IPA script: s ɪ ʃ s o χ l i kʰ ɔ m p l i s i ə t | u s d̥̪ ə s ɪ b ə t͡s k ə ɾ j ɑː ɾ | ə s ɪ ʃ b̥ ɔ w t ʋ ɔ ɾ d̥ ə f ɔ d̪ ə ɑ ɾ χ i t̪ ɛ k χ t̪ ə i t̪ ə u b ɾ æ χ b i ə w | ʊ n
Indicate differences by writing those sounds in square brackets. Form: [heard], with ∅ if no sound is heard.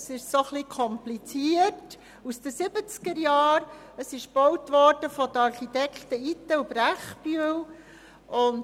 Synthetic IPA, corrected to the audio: s ɪ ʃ s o χ l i kʰ ɔ m p l i [t͡s] i ə t | u s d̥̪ ə s ɪ b ə t͡s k ə ɾ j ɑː ɾ | ə s ɪ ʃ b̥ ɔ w t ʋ ɔ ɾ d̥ ə f ɔ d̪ ə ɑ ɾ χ i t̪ ɛ k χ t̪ ə i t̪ ə u b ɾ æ χ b [y] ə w | ʊ n